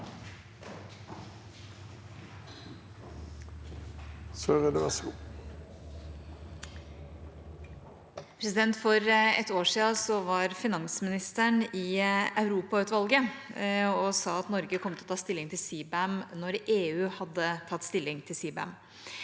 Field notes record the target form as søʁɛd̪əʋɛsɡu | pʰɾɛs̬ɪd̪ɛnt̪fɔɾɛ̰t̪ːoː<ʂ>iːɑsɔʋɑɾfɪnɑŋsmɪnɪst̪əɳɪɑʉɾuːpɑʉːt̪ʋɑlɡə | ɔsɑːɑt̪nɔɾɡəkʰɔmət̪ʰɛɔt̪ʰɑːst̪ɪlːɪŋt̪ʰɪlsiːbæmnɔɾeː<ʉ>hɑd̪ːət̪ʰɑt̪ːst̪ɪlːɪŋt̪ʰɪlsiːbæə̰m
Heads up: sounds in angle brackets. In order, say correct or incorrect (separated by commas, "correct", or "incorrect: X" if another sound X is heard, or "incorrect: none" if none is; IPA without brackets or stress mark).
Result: correct, incorrect: ʉː